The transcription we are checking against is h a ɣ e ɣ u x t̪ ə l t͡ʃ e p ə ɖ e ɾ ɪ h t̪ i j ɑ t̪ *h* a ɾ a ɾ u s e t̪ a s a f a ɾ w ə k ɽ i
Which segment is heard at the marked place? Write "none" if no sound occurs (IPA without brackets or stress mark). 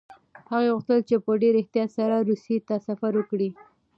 s